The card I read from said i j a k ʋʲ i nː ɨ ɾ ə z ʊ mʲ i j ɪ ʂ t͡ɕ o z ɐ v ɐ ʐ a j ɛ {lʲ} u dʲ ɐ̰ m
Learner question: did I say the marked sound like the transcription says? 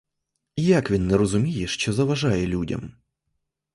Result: yes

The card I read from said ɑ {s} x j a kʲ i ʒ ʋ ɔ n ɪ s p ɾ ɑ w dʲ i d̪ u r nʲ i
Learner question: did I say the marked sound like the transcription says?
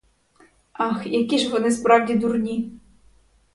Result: no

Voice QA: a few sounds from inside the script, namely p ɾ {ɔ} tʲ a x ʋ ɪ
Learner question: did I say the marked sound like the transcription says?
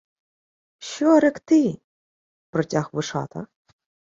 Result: yes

